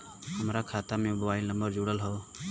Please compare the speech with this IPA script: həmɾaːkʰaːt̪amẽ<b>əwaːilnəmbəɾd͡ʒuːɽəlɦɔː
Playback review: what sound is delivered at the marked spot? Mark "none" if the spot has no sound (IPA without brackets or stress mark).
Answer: b